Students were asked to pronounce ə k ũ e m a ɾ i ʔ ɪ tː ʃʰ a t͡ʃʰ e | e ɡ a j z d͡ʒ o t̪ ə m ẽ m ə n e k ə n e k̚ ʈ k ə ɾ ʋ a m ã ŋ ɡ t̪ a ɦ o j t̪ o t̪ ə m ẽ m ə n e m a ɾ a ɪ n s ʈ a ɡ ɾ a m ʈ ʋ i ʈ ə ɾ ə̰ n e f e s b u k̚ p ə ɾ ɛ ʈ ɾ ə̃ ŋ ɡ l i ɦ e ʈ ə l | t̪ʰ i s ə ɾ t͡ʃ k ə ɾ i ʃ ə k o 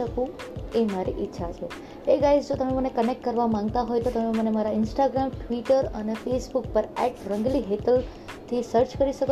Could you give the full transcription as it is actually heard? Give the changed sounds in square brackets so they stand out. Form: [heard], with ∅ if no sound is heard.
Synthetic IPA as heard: ə k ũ e m a ɾ i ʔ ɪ tː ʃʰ a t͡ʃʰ e | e ɡ a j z d͡ʒ o t̪ ə m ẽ m ə n e k ə n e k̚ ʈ k ə ɾ ʋ a m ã ŋ ɡ t̪ a ɦ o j t̪ o t̪ ə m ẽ m ə n e m a ɾ a ɪ n s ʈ a ɡ ɾ a m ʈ ʋ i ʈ ə ɾ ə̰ n e f e s b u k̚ p ə ɾ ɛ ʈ ɾ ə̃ ŋ ɡ l i ɦ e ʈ ə l | t̪ʰ i s ə ɾ t͡ʃ k ə ɾ i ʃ ə k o